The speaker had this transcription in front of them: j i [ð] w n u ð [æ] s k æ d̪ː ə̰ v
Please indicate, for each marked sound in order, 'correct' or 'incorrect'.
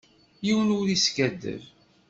incorrect, incorrect

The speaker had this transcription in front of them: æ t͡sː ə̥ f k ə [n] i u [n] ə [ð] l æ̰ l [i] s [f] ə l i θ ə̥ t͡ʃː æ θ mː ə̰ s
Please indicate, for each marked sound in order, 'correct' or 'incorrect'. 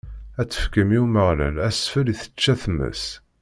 incorrect, incorrect, incorrect, incorrect, correct

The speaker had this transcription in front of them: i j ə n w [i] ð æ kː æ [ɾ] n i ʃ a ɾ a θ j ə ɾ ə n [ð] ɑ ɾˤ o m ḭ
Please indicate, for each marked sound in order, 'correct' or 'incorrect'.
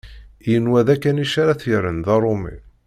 incorrect, incorrect, correct

